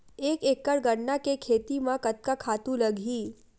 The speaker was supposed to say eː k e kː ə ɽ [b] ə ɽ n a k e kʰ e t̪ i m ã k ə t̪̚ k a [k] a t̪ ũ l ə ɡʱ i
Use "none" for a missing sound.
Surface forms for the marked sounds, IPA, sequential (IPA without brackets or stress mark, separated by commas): ɡ, kʰ